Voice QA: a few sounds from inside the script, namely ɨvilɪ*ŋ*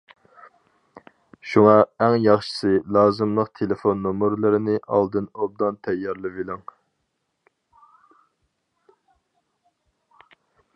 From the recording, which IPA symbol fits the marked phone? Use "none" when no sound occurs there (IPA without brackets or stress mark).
ŋ